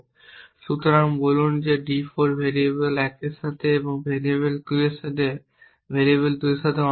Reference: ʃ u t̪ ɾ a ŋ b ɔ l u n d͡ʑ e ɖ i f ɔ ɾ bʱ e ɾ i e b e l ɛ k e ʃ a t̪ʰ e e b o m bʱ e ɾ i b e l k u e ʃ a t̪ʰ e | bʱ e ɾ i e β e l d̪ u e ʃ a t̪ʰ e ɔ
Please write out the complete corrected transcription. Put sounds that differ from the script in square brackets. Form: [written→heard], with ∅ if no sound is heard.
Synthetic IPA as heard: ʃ u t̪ ɾ a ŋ b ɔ l u n d͡ʑ e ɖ i f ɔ ɾ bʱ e ɾ i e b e l ɛ k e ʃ a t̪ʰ e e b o [m→ŋ] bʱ e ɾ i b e l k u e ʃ a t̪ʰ e | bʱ e ɾ i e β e l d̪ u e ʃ a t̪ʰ e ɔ